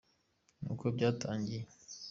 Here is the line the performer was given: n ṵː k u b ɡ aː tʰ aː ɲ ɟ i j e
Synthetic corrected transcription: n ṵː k o b ɟ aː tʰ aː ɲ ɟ i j e